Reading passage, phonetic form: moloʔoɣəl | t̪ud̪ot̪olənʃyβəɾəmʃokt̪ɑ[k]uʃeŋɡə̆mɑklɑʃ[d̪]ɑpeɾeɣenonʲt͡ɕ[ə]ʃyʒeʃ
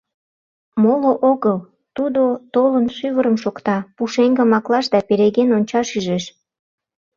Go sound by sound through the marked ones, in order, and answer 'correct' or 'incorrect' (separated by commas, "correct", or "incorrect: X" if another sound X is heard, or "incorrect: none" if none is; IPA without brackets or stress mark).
incorrect: p, correct, incorrect: ɑ